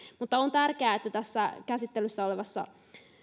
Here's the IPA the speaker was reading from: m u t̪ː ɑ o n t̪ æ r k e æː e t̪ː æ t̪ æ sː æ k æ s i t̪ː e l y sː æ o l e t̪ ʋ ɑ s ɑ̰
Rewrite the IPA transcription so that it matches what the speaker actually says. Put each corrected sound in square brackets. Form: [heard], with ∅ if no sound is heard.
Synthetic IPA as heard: m u t̪ː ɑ o n t̪ æ r k e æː e t̪ː æ t̪ æ sː æ k æ s i t̪ː e l y sː æ o l e [∅] ʋ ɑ [sː] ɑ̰